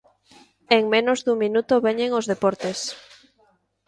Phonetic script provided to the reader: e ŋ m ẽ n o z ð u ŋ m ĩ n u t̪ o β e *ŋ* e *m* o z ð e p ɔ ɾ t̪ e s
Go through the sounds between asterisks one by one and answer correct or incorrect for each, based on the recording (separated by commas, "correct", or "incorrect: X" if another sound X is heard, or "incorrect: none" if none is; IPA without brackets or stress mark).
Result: incorrect: ɲ, incorrect: ŋ